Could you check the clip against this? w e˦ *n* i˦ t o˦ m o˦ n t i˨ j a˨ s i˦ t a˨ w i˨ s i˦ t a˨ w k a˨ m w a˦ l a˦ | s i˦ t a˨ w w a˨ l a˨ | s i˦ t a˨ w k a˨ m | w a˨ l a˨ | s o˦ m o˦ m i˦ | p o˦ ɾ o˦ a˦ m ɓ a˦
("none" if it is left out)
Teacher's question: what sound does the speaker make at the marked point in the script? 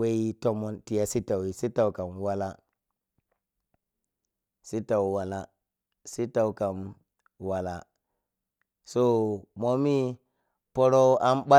none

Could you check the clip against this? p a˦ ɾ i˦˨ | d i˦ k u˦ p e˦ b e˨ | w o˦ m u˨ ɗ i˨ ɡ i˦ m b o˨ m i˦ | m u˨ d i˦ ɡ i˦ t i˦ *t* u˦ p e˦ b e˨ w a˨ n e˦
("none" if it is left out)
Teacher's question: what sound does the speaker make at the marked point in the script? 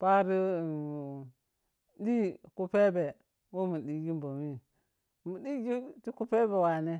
k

